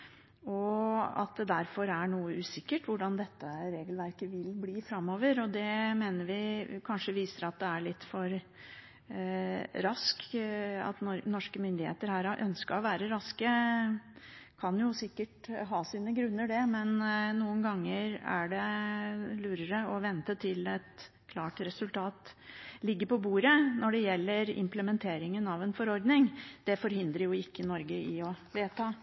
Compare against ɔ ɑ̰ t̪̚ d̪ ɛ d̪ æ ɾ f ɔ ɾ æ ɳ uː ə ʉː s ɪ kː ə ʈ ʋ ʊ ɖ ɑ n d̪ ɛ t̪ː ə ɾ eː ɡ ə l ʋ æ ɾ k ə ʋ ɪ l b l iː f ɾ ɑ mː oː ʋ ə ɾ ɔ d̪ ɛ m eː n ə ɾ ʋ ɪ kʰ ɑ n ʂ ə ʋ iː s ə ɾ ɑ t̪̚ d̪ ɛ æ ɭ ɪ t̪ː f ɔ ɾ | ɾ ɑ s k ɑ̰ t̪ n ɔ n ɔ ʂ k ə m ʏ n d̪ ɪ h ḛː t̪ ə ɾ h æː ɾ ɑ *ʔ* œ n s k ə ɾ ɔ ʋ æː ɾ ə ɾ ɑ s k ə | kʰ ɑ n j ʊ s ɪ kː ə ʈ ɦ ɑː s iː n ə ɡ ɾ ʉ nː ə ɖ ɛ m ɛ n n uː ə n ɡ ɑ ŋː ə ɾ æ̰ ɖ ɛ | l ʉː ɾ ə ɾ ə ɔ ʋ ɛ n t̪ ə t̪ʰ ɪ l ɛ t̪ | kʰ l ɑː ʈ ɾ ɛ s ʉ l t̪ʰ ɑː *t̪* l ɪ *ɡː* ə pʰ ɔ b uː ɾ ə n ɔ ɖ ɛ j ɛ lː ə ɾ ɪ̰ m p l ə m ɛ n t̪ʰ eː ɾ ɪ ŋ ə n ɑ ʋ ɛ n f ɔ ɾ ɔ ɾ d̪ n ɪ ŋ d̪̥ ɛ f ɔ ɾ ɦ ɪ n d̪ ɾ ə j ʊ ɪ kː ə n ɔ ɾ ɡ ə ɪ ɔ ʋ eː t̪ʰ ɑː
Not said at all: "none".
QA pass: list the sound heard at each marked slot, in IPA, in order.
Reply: ʔ, t̪, ɡː

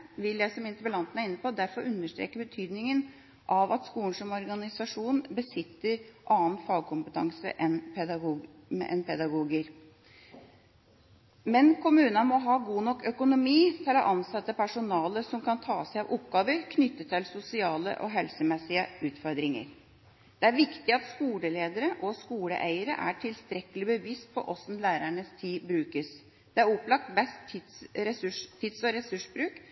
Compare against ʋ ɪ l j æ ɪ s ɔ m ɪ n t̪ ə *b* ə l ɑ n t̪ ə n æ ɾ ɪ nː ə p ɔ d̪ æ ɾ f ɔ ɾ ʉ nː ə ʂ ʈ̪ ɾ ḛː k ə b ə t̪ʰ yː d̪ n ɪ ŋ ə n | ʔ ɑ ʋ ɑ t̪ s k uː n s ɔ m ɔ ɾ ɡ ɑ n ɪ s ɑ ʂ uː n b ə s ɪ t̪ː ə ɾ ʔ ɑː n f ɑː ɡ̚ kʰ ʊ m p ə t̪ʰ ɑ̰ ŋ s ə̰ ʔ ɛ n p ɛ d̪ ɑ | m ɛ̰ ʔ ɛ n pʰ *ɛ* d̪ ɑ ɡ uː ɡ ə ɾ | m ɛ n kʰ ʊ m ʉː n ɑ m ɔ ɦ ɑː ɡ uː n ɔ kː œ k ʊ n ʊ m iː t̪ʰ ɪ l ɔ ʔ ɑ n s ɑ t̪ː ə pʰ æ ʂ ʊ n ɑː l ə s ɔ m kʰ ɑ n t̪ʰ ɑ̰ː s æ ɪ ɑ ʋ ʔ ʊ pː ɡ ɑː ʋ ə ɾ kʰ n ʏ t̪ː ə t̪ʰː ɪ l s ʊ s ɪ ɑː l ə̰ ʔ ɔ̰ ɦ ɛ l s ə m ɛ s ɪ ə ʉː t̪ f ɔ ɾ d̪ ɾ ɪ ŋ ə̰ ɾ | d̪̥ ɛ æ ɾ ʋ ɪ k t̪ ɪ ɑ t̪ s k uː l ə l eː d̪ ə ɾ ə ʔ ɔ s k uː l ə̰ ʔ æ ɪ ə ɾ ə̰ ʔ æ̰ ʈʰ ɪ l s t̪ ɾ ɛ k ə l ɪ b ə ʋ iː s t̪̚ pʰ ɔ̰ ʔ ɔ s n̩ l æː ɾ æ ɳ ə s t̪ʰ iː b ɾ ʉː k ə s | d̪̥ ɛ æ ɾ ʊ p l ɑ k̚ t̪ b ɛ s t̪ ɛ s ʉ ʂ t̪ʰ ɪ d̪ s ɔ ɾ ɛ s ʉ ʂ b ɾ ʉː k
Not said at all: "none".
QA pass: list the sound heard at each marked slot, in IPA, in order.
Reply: b, ɛ

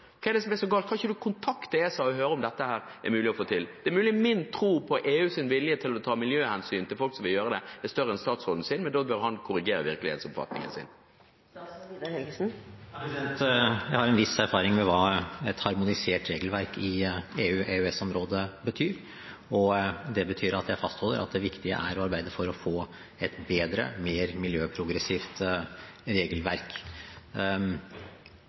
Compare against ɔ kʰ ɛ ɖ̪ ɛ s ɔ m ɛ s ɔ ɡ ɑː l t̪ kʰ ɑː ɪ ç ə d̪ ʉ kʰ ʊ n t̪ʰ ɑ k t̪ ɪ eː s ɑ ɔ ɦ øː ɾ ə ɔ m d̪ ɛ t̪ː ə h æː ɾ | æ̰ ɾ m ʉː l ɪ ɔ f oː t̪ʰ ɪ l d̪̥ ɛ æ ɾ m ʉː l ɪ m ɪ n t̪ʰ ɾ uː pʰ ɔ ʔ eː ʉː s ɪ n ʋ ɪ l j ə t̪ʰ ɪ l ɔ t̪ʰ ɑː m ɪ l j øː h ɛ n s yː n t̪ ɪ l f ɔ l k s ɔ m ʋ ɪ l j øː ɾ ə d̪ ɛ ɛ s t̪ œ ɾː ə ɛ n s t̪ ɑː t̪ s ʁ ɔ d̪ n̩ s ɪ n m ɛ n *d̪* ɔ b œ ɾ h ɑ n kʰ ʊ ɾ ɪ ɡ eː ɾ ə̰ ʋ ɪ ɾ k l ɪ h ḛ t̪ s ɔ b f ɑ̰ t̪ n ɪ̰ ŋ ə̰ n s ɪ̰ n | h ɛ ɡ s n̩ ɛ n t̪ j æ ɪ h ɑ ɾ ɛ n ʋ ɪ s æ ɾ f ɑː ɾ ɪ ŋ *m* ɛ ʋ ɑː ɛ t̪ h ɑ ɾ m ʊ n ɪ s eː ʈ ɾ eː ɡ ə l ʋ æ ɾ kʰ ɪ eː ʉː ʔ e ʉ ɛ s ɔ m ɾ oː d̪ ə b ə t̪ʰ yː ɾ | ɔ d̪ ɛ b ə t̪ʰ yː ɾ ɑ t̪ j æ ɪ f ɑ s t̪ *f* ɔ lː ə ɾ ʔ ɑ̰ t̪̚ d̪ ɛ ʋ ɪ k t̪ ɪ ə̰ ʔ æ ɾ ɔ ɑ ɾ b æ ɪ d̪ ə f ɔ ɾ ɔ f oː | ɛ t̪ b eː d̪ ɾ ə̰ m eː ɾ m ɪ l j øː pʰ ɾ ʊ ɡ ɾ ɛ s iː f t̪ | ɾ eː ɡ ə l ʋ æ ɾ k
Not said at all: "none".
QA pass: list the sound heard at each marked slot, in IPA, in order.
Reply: d̪, m, h

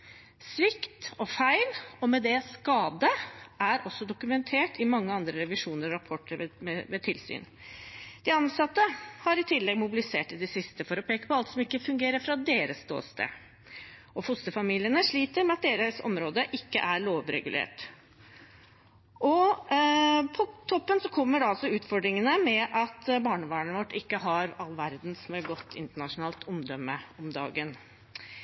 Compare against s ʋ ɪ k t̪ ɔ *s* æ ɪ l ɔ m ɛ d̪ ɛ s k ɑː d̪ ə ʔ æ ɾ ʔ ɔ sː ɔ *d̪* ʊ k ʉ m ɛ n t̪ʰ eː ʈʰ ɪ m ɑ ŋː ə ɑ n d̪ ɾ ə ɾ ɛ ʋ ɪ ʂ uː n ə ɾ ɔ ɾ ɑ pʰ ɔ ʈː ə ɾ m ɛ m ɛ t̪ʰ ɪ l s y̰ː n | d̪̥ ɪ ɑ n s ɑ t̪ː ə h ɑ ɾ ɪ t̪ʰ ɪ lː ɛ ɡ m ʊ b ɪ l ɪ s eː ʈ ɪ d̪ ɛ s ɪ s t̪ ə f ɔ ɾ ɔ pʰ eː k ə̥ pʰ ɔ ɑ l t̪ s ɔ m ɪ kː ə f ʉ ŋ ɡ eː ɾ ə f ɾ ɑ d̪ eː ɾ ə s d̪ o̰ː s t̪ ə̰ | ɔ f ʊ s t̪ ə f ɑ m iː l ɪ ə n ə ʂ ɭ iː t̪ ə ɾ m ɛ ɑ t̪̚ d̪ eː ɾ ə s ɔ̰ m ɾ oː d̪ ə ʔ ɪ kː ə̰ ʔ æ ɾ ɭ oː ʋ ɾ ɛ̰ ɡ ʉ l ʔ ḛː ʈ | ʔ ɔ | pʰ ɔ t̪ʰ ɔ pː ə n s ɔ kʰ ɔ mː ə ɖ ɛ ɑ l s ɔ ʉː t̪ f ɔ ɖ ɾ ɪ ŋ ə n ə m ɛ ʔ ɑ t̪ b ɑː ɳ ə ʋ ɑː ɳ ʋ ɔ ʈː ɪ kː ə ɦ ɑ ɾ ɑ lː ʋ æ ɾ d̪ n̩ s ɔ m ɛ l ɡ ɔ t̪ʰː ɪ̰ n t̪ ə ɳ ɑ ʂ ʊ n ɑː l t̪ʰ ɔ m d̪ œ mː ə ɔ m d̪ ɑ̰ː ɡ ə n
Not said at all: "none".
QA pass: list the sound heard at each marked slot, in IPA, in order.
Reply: f, d̪

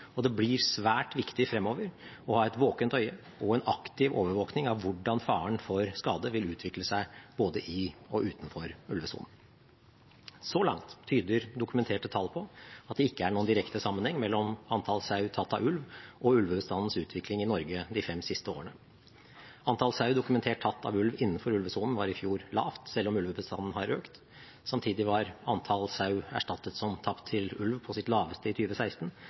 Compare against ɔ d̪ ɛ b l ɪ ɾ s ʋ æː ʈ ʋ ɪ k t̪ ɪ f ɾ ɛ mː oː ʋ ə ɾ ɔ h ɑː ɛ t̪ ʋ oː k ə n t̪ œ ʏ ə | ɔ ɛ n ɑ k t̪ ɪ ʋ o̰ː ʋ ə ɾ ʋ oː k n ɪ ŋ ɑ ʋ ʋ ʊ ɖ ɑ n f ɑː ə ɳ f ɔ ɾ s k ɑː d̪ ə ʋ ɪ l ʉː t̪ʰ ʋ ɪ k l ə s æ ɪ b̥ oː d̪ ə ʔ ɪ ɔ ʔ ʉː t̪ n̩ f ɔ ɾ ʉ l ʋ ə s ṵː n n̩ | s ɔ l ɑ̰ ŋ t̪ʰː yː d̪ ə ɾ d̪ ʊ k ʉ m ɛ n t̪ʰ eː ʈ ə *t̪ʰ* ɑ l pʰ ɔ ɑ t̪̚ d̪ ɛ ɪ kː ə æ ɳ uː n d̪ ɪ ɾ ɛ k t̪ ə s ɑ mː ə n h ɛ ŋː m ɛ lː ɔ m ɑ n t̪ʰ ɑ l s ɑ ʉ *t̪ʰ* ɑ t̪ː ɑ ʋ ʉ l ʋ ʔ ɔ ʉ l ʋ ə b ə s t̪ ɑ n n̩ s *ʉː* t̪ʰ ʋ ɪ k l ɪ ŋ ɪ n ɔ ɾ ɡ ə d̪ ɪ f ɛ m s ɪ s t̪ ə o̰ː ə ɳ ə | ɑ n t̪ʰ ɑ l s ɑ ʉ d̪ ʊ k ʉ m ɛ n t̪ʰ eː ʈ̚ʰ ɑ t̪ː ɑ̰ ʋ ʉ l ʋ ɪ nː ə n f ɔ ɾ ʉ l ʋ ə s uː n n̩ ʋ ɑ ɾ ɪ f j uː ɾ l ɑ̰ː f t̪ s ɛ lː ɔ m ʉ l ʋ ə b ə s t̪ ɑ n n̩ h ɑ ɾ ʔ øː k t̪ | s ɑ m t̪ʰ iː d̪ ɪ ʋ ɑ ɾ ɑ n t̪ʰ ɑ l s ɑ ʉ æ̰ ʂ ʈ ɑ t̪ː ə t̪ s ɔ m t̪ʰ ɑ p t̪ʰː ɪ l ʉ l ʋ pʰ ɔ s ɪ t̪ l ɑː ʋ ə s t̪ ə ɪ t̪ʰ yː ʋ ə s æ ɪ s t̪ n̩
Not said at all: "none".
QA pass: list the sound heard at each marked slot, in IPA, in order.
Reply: t̪ʰ, t̪ʰ, ʉː

